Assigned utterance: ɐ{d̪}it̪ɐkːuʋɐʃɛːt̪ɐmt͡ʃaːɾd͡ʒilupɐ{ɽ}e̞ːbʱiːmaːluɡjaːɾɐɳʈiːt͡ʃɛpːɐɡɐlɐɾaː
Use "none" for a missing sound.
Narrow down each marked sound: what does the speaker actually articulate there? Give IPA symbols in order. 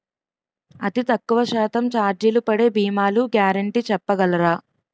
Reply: t̪, ɽ

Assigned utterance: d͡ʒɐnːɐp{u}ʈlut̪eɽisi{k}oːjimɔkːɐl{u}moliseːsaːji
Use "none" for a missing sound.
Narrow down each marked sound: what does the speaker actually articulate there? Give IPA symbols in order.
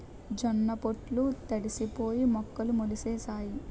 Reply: o, p, u

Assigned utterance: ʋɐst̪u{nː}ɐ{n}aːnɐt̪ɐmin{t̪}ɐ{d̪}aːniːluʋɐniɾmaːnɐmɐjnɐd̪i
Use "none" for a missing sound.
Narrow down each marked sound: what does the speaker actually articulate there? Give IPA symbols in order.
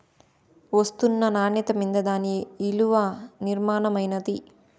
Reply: nː, n, d̪, d̪

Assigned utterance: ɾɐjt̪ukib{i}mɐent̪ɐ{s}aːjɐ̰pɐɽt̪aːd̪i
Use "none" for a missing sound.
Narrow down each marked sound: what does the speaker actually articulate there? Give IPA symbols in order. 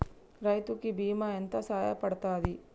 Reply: iː, s

